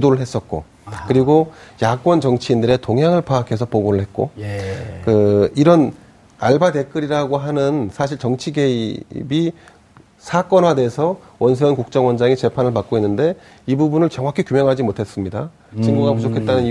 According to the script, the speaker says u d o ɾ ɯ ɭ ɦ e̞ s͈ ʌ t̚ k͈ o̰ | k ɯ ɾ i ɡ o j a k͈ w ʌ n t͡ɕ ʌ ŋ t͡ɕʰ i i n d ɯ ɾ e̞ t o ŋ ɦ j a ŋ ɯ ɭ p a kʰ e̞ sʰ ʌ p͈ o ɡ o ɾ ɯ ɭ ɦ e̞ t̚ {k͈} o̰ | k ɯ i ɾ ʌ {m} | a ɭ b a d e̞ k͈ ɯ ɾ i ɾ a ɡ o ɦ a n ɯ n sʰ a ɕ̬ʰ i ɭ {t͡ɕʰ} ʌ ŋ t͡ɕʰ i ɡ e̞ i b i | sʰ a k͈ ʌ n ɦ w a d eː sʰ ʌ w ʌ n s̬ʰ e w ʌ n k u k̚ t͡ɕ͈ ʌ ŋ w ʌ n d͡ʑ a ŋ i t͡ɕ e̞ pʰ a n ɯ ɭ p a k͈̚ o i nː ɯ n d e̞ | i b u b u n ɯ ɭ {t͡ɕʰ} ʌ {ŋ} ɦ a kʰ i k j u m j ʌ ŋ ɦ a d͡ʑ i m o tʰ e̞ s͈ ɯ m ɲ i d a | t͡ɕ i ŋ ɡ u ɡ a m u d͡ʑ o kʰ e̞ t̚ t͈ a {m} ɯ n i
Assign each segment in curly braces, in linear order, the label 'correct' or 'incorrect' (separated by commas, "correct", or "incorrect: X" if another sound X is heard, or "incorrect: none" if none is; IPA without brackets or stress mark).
correct, incorrect: n, incorrect: t͡ɕ, incorrect: t͡ɕ, correct, incorrect: n